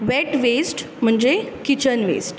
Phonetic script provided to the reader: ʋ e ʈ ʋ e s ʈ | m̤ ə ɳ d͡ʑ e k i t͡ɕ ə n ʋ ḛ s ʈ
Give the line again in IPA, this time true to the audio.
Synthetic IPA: ʋ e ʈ ʋ e s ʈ | m̤ ə ɳ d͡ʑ e k i t͡ɕ ə n ʋ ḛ s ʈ